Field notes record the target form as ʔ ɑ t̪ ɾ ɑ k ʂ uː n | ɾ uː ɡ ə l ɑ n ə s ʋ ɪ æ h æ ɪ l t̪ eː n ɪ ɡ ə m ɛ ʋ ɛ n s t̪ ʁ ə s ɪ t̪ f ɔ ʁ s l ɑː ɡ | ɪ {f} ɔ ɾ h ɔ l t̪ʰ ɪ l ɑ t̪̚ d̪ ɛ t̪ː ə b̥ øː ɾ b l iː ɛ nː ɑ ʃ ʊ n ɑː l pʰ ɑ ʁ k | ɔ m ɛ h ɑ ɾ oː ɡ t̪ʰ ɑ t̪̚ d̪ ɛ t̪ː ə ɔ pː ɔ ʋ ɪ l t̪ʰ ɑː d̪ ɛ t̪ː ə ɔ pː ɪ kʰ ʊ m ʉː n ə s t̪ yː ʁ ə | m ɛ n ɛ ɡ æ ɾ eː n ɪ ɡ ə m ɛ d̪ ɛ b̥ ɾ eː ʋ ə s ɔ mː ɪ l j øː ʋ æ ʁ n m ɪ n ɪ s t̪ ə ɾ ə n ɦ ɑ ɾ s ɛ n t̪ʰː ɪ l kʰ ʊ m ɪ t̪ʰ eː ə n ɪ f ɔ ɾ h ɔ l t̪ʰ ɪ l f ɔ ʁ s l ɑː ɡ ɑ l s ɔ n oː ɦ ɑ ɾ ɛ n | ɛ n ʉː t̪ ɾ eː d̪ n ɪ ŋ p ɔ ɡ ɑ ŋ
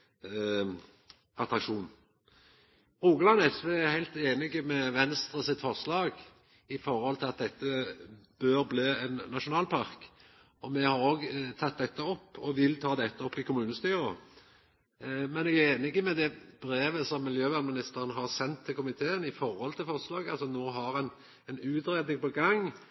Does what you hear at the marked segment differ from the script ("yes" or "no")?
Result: no